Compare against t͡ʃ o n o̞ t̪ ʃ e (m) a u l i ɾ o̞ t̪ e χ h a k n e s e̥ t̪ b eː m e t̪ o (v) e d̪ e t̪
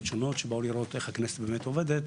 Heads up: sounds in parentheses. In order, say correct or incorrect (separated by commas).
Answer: incorrect, correct